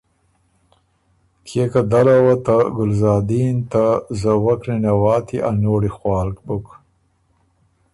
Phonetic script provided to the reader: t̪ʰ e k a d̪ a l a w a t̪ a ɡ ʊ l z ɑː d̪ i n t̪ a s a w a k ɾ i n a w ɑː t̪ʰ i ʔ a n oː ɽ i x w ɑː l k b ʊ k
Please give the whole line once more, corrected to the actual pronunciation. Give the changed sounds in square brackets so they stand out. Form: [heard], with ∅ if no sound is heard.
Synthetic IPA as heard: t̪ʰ e k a d̪ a l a w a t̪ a ɡ ʊ l z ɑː d̪ i n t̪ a [z] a w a k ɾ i n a w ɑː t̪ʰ i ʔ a n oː ɽ i x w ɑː l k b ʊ k